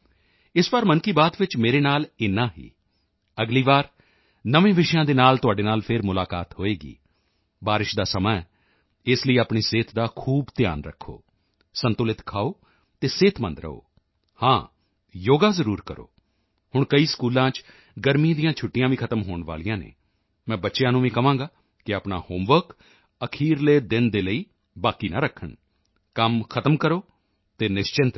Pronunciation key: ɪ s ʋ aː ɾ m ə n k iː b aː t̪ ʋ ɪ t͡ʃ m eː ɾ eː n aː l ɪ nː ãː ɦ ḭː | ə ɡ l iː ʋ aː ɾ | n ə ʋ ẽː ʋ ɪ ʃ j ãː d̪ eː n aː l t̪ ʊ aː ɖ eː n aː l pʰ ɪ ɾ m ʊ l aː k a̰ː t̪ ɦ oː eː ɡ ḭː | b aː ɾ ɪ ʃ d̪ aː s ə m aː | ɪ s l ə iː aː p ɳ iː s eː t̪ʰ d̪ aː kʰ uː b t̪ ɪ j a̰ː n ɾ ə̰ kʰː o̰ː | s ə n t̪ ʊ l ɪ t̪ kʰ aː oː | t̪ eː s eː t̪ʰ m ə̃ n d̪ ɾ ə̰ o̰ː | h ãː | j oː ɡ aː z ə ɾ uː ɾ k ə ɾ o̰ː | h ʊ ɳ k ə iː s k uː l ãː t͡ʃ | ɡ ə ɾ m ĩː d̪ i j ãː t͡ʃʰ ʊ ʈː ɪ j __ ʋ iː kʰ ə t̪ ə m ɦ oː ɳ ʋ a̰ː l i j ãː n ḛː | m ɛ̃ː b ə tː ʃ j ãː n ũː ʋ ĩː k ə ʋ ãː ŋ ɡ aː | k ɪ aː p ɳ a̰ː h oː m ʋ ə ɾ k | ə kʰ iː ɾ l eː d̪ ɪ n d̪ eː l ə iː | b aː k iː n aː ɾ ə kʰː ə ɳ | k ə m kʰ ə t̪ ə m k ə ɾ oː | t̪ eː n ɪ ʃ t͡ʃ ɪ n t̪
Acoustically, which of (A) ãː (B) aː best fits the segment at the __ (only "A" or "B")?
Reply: A